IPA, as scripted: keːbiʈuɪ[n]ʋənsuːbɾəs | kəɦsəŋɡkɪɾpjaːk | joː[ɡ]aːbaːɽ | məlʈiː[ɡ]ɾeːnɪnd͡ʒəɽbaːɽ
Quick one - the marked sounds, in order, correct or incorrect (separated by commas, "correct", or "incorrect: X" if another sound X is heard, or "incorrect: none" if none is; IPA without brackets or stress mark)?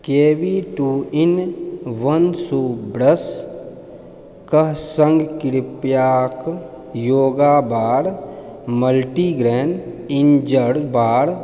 correct, correct, correct